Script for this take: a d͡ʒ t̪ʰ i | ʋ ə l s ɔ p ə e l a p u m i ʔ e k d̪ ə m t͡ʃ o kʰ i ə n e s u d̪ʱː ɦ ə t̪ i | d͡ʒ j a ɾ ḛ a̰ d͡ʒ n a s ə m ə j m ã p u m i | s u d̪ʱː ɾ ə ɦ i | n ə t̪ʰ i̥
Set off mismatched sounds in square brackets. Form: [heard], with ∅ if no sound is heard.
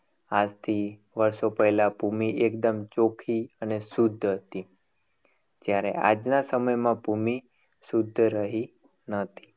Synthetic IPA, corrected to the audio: a d͡ʒ t̪ʰ i | ʋ ə [ɾ] s [o] p ə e l a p u m i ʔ e k d̪ ə m t͡ʃ o kʰ i ə n e s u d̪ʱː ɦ ə t̪ i | d͡ʒ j a ɾ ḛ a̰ d͡ʒ n a s ə m ə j m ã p u m i | s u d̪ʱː ɾ ə ɦ i | n ə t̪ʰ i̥